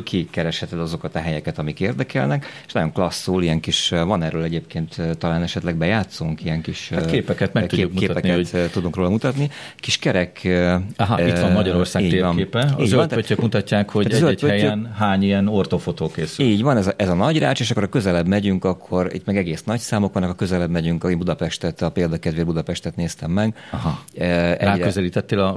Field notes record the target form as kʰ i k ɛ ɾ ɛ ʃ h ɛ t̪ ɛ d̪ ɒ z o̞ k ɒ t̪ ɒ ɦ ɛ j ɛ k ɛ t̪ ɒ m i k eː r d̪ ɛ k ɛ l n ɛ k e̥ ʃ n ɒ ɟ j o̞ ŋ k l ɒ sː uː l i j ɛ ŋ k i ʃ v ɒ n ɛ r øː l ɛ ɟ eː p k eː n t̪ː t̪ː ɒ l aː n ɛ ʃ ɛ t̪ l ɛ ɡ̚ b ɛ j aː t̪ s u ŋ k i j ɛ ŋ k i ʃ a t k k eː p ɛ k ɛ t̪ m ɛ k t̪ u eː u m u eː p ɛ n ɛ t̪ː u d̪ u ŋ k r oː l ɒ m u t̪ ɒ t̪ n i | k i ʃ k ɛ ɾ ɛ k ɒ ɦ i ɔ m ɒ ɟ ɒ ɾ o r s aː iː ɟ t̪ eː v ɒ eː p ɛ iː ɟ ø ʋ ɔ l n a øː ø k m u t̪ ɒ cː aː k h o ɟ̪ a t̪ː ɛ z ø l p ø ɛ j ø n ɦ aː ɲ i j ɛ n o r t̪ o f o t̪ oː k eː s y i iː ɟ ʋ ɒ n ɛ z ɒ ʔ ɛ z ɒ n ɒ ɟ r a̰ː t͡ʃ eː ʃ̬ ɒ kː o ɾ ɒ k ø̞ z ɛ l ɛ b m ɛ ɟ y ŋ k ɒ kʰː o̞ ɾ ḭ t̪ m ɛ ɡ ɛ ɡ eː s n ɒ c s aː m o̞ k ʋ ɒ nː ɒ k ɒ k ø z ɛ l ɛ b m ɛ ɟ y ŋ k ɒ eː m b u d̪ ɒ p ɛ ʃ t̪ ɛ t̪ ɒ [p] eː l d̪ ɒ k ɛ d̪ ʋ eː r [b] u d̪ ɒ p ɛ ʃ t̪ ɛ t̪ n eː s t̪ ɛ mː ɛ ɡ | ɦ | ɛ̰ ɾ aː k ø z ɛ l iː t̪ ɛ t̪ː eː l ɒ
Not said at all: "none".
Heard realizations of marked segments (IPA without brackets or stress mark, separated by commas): p, b